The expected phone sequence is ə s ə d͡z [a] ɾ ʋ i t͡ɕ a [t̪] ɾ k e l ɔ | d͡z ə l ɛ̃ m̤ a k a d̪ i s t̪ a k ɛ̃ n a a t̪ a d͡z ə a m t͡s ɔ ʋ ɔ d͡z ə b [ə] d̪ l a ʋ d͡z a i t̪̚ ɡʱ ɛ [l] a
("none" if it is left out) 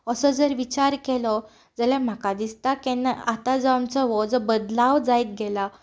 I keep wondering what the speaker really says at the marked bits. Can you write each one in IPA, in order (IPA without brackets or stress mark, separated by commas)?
ə, none, ə, l